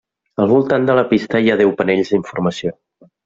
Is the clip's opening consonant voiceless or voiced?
voiced